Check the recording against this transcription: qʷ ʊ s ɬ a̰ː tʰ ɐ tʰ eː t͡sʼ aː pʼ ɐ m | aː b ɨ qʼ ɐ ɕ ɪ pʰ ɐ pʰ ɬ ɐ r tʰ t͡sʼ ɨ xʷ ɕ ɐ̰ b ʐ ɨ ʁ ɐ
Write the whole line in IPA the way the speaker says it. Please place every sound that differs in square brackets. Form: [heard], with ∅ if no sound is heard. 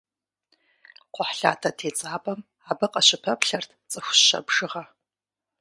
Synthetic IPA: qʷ ʊ [ħ] ɬ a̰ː tʰ ɐ tʰ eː t͡sʼ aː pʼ ɐ m | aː b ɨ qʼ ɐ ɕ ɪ pʰ ɐ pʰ ɬ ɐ r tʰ t͡sʼ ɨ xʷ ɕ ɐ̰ b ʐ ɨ ʁ ɐ